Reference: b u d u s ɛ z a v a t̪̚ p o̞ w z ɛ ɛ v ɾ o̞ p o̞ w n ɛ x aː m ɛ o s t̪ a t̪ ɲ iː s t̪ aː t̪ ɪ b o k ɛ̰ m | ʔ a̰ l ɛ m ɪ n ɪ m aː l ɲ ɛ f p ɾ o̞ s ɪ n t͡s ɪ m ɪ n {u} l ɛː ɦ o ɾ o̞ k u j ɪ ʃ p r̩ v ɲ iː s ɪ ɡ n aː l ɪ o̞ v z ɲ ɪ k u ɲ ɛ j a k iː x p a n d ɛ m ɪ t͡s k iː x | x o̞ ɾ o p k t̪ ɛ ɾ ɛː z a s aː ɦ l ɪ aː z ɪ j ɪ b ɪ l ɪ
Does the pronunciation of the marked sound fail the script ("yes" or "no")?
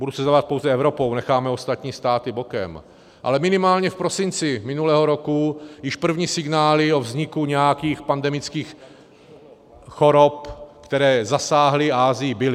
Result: no